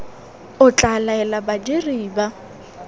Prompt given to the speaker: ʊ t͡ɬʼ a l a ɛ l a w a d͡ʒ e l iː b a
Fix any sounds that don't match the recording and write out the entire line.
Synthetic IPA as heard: ʊ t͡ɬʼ a l a ɛ l a b a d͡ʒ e r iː b a